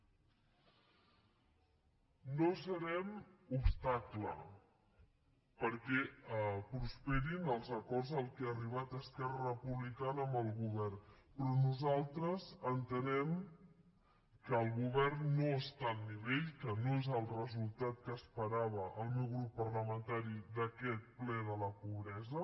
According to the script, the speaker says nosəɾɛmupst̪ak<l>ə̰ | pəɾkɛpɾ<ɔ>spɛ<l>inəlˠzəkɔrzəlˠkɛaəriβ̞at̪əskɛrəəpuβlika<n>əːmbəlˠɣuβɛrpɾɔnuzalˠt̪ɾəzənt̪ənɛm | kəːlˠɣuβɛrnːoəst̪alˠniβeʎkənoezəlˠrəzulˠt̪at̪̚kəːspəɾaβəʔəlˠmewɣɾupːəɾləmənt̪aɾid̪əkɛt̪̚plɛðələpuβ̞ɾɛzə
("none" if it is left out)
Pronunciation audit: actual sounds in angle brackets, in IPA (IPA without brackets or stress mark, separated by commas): l, u, ɾ, n